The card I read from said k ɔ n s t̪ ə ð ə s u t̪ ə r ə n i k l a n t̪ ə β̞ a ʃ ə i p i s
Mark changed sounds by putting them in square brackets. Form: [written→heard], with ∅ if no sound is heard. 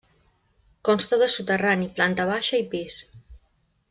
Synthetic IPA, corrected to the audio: k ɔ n s t̪ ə ð ə s u t̪ ə r [ə→a] n i [k→p] l a n t̪ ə β̞ a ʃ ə i p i s

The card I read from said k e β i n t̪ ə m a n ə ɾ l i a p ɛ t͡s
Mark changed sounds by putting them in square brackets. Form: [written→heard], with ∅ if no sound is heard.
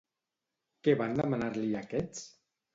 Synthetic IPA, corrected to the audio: k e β [i→a] n [t̪→d̪] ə m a n [ə→a] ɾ l i a [p→k] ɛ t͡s

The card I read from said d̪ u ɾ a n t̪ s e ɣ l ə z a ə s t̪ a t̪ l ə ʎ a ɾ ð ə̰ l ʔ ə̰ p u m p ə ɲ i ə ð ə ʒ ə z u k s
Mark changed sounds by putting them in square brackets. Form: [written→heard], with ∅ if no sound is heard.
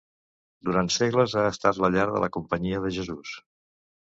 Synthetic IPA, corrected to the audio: d̪ u ɾ a n t̪ s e ɣ l ə z a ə s t̪ a t̪ l ə ʎ a ɾ ð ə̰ l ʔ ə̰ [p→k] u m p ə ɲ i ə ð ə ʒ ə z u [k→∅] s

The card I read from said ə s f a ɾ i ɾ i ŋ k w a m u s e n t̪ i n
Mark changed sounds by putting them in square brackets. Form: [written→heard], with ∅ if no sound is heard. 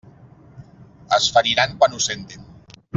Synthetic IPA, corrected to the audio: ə s f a ɾ i ɾ [i→a] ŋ k w a [m→n] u s e n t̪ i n

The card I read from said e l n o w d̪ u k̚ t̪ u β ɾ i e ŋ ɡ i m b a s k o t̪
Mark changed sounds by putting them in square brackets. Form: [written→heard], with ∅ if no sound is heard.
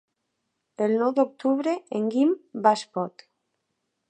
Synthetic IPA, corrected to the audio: e l n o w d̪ [u→o] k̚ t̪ u β ɾ [i→e] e ŋ ɡ i m b a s [k→p] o t̪

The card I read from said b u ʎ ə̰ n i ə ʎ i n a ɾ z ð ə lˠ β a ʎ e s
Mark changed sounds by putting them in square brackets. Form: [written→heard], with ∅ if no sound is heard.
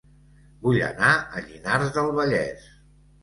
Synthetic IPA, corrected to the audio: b u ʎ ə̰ n [i→a] ə ʎ i n a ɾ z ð ə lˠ β [a→ə] ʎ [e→ɛ] s

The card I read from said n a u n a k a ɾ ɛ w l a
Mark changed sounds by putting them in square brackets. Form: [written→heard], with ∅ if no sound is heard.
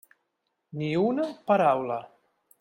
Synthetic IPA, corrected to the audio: n [a→i] u n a [k→p] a ɾ [ɛ→a] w l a

